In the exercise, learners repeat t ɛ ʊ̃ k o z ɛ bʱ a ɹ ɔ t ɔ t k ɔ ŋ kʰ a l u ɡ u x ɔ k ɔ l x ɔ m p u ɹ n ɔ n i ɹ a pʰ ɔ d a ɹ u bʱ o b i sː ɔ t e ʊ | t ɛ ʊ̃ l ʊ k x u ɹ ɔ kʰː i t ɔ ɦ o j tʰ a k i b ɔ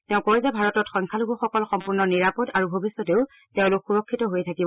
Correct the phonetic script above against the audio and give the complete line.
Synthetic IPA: t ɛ ʊ̃ k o z ɛ bʱ a ɹ ɔ t ɔ t x ɔ ŋ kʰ a l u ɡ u x ɔ k ɔ l x ɔ m p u ɹ n ɔ n i ɹ a p ɔ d a ɹ u bʱ o b i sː ɔ t e ʊ | t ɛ ʊ̃ l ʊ k x u ɹ ɔ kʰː i t ɔ ɦ o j tʰ a k i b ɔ